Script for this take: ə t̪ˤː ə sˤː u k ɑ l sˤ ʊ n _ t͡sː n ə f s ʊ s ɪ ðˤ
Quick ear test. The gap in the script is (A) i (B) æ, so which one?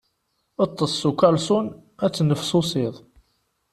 B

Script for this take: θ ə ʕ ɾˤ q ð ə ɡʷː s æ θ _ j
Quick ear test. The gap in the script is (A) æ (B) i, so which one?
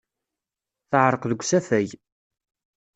A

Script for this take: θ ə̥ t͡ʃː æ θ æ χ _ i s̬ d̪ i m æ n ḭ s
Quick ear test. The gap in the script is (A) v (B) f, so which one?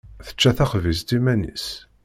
A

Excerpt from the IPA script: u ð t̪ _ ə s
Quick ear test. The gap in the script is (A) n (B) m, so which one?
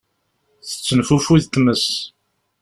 B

